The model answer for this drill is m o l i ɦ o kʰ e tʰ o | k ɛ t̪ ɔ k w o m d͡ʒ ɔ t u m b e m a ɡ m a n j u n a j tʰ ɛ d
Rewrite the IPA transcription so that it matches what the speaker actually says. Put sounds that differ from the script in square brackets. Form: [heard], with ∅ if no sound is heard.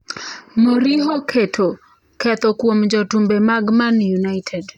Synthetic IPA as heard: m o [ɾ] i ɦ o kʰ e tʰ o | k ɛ t̪ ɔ k w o m d͡ʒ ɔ t u m b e m a ɡ m a n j u n a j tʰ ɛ d